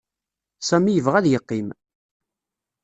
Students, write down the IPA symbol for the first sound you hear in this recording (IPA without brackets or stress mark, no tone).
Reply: s